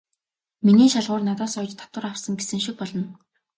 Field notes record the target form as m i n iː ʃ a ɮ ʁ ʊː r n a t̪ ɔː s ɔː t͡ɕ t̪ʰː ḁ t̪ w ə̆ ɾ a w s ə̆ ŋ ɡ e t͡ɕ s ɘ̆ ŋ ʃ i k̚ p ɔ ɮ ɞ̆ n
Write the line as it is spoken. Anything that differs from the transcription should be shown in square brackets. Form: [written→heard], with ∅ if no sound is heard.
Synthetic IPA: m i n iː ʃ a ɮ ʁ ʊː r n a t̪ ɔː s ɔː t͡ɕ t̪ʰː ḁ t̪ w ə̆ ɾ a w s ə̆ ŋ ɡ e [t͡ɕ→∅] s ɘ̆ ŋ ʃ i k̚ p ɔ ɮ ɞ̆ n